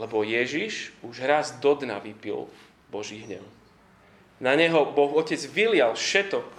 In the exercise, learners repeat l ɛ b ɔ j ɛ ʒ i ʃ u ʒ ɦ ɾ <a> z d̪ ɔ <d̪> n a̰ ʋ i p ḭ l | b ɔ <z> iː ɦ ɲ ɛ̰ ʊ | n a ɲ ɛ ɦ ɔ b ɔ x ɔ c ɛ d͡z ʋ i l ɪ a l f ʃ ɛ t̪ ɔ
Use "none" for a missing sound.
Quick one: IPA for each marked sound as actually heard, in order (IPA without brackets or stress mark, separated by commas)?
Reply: a, d̪, ʒ